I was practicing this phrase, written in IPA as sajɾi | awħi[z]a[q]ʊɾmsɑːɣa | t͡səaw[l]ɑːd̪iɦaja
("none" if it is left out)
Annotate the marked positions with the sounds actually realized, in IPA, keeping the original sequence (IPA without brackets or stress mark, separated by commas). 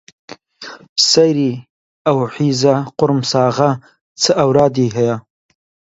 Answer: z, q, ɾ